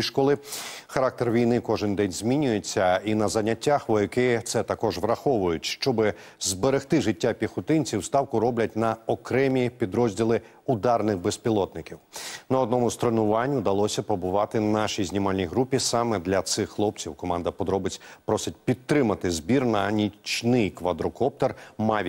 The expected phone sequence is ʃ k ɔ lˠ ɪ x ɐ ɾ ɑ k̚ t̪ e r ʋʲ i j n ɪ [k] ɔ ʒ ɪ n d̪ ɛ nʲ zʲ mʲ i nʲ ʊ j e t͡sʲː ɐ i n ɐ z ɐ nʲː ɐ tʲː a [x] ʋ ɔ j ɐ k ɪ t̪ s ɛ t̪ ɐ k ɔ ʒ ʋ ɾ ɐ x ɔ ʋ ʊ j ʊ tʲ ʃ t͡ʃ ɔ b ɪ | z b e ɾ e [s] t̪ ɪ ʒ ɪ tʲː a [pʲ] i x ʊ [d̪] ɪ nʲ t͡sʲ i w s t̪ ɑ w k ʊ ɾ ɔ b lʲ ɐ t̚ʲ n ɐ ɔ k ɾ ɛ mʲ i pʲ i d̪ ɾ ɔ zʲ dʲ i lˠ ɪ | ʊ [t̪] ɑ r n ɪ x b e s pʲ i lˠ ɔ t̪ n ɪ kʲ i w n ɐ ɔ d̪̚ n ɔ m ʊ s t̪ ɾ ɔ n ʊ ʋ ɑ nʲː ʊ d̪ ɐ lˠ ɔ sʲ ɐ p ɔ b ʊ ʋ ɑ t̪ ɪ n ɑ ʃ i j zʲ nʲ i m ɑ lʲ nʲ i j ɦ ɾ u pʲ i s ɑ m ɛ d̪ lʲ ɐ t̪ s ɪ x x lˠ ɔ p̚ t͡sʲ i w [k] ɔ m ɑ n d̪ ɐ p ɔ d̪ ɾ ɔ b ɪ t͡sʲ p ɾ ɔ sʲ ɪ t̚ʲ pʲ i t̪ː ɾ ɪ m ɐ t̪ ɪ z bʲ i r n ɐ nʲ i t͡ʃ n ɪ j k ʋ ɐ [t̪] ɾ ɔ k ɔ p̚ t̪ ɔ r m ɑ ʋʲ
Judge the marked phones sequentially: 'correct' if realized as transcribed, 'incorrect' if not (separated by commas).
correct, correct, incorrect, correct, incorrect, incorrect, correct, incorrect